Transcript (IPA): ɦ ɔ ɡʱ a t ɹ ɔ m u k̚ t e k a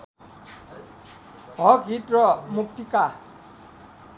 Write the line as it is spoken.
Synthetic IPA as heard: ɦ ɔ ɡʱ i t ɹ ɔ m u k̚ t i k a